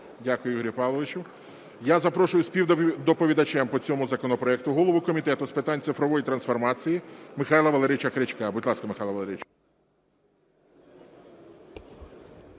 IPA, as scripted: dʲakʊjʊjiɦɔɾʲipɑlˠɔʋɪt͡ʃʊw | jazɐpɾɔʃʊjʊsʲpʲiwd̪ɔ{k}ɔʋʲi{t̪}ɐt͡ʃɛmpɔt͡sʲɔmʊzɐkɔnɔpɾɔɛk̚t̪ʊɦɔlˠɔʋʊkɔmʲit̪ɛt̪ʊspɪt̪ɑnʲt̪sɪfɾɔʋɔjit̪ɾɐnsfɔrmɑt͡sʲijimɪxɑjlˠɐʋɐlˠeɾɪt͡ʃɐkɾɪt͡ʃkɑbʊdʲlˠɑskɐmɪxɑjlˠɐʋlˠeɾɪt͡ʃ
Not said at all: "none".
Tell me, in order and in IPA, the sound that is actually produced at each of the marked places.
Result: p, d̪

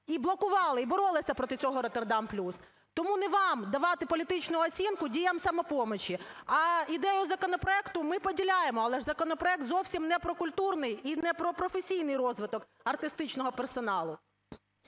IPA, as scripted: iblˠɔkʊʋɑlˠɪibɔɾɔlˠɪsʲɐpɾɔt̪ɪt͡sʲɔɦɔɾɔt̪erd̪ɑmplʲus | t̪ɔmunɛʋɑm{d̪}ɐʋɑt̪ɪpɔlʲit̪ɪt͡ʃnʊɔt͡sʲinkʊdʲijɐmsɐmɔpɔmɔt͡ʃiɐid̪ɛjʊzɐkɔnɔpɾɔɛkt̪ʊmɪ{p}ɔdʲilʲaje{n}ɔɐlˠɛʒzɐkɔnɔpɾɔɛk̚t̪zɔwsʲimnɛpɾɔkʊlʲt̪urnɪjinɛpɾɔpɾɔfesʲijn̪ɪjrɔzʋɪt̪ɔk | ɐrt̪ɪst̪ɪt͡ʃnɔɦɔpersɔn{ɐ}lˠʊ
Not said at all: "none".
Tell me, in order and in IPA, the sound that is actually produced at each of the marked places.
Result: d̪, p, m, ɑ

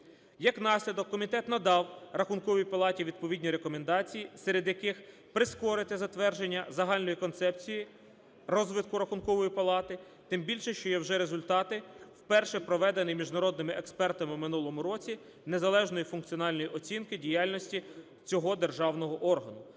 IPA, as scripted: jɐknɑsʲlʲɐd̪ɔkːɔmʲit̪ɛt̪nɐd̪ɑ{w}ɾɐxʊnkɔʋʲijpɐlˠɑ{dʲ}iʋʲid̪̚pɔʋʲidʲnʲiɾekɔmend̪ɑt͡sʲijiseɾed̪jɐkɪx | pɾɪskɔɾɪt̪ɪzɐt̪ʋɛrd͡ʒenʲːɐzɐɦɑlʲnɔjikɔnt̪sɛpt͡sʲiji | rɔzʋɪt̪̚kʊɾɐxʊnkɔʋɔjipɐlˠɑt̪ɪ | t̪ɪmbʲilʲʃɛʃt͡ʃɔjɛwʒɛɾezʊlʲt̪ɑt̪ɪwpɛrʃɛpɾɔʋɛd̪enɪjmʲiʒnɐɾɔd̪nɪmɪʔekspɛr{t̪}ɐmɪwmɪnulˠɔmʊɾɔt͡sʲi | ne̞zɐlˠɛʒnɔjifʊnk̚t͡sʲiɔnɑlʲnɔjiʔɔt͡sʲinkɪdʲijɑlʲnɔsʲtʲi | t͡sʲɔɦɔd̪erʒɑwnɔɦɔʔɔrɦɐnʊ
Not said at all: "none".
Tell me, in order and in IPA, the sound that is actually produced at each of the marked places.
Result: w, tʲ, t̪

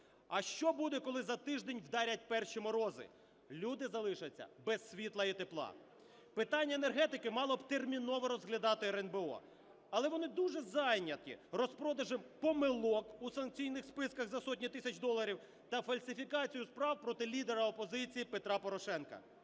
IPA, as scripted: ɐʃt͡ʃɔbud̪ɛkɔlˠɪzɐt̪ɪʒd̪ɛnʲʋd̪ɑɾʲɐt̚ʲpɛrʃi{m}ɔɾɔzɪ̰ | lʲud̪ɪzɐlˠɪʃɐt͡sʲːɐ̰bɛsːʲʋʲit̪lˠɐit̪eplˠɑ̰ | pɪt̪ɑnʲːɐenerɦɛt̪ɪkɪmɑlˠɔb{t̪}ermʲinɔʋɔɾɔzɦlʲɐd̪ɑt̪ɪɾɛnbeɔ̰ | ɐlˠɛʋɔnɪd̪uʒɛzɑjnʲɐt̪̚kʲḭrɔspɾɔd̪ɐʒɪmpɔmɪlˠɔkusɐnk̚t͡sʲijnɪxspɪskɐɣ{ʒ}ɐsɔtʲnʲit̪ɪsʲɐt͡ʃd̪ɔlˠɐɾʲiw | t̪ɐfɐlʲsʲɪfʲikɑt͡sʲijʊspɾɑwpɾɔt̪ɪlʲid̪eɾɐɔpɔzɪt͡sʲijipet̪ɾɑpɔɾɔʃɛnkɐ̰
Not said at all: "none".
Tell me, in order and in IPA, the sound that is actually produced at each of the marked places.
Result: m, t̪, z

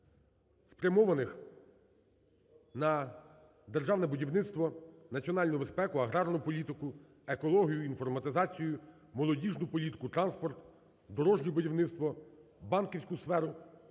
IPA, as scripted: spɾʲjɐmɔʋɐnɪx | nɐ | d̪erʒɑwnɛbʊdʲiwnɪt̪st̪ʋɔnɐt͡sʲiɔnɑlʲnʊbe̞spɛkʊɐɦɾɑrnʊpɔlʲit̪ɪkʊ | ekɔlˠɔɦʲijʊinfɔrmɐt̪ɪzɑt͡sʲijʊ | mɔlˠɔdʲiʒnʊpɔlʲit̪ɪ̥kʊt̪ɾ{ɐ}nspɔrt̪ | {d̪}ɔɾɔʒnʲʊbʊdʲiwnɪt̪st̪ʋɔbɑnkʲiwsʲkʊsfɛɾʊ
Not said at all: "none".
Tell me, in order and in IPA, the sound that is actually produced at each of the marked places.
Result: ɑ, d̪

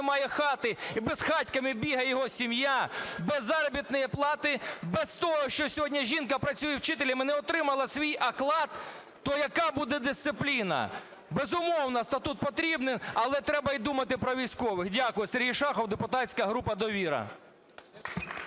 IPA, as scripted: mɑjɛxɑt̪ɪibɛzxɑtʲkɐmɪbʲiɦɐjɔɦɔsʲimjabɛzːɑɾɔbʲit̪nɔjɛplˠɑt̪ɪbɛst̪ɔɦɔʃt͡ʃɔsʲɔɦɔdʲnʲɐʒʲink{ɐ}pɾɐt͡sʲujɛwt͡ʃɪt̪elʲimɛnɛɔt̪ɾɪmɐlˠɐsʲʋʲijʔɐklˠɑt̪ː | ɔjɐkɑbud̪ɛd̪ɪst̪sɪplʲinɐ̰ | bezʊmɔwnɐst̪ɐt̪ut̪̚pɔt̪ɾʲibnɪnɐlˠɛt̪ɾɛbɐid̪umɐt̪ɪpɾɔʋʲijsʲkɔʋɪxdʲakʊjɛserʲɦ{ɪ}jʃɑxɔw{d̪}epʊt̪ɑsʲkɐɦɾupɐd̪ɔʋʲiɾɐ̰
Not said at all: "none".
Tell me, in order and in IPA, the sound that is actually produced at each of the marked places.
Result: ɐ, i, d̪

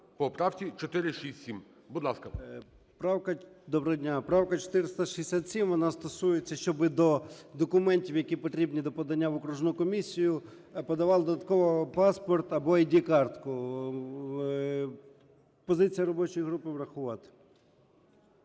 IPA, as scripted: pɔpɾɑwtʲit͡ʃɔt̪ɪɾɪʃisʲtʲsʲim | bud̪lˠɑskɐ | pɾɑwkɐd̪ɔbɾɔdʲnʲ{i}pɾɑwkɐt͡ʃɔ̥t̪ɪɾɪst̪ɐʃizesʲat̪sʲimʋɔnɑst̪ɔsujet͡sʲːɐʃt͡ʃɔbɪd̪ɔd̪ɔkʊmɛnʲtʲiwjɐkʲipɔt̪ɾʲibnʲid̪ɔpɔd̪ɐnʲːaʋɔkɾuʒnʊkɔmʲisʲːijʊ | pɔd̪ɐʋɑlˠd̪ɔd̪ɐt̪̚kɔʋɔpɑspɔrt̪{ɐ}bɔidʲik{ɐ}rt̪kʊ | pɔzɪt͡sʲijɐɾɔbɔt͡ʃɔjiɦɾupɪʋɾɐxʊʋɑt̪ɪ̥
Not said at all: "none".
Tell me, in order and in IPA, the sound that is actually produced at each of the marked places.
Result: a, ɐ, ɑ

